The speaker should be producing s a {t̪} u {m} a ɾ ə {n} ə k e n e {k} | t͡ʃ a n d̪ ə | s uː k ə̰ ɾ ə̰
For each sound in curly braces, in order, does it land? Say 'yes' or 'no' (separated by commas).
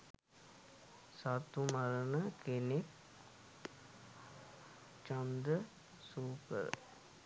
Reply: yes, yes, yes, yes